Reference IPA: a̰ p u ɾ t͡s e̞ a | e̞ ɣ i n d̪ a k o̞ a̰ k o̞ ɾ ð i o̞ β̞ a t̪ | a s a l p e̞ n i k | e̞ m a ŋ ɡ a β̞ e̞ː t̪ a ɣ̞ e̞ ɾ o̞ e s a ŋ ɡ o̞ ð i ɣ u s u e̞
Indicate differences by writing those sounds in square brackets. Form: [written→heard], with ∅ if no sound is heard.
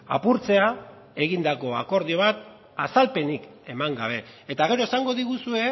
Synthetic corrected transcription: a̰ p u ɾ t͡s e̞ a | e̞ ɣ i n d̪ a k o̞ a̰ k o̞ ɾ ð i o̞ β̞ a t̪ | a s a l p e̞ n i k | e̞ m a ŋ ɡ a β̞ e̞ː t̪ a ɣ̞ e̞ ɾ o̞ e s a ŋ ɡ o̞ ð i ɣ u s u e̞